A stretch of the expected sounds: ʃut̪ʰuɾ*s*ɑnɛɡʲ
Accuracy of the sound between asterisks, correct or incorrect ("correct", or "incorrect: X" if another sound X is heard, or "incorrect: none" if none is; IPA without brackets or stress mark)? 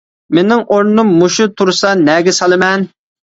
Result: correct